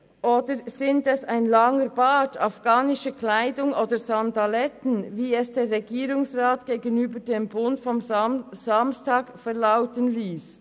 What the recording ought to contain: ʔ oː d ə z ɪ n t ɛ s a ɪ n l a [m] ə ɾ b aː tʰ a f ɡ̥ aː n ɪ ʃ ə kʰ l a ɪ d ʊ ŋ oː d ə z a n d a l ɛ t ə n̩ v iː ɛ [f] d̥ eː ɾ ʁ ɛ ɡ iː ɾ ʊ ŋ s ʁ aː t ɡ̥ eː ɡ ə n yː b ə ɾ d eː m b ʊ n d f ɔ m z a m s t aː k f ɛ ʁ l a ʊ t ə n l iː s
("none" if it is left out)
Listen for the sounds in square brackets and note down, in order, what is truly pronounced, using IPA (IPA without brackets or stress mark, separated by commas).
ŋ, s